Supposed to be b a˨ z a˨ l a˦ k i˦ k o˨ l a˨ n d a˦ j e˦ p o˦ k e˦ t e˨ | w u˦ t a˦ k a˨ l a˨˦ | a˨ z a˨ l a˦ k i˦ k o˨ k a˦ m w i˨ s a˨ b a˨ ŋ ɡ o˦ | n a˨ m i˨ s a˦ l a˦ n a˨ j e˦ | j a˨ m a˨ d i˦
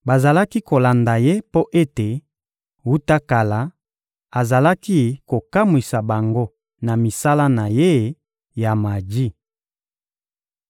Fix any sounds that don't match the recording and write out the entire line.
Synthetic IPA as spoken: b a˨ z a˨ l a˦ k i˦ k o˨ l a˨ n d a˨ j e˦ p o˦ ʔ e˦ t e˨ | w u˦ t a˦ k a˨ l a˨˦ | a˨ z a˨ l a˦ k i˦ k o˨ k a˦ m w i˨ s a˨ b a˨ ŋ ɡ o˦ | n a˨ m i˨ s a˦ l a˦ n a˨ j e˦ | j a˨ m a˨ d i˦